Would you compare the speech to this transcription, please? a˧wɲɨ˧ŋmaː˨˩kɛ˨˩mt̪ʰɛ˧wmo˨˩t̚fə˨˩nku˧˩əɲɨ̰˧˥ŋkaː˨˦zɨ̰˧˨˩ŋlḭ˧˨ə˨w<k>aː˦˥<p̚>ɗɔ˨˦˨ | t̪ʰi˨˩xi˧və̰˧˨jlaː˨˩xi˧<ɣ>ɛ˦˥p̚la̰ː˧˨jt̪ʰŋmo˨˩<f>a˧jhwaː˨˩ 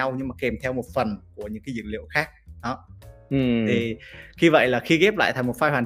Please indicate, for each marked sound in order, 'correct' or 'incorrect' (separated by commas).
incorrect, incorrect, correct, correct